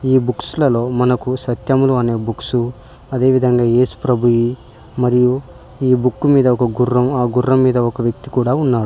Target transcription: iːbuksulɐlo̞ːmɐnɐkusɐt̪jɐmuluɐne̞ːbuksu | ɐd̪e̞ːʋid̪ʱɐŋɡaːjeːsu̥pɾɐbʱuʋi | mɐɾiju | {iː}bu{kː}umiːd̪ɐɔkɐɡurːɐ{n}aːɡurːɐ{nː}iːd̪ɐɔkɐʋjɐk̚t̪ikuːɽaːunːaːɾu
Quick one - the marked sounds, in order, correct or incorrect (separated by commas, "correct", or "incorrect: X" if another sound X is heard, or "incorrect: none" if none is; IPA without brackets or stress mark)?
correct, correct, incorrect: m, incorrect: mː